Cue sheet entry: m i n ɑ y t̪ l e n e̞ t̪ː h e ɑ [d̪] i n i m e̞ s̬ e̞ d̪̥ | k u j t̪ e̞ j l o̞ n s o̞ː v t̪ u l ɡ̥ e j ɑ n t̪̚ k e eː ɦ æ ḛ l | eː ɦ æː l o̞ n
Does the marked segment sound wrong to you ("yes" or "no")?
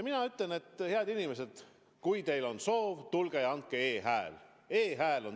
no